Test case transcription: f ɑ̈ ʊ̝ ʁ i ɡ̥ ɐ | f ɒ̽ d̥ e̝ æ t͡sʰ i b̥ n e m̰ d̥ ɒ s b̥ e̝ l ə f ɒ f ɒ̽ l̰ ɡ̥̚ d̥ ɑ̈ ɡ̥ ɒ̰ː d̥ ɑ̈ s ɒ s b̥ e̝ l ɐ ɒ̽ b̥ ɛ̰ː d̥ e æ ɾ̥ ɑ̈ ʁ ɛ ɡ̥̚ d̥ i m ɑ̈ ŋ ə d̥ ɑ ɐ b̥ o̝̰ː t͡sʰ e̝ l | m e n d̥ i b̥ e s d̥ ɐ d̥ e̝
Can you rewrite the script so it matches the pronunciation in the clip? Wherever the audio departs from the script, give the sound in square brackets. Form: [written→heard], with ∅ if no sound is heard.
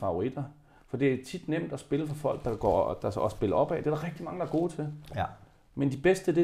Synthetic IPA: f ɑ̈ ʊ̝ ʁ i [ɡ̥→d̥] ɐ | f ɒ̽ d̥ e̝ æ t͡sʰ i [b̥→d̥] n e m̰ d̥ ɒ s b̥ e̝ l ə f ɒ f ɒ̽ l̰ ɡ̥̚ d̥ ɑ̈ ɡ̥ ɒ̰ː d̥ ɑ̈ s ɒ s b̥ e̝ l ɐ ɒ̽ b̥ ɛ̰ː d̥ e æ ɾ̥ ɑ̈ ʁ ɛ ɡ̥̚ d̥ i m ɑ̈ ŋ ə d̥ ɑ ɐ [b̥→ɡ̥] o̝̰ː t͡sʰ e̝ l | m e n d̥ i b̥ e s d̥ [ɐ→ə] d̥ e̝